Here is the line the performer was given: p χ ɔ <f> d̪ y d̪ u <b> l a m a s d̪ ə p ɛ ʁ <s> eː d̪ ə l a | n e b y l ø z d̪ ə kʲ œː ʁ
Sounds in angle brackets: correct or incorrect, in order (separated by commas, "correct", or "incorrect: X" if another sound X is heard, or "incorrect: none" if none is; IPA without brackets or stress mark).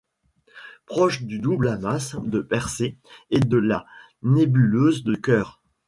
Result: incorrect: ʃ, correct, correct